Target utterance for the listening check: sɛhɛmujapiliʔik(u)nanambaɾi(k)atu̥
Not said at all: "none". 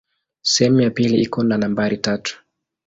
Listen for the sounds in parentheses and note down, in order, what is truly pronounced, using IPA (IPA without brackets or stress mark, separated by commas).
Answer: ɔ, t